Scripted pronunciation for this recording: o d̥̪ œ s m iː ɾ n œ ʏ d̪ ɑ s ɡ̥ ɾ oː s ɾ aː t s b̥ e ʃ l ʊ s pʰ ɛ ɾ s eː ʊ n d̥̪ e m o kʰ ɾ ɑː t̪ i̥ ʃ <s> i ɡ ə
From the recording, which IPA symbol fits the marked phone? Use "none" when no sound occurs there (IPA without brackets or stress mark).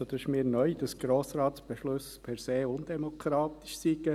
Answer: s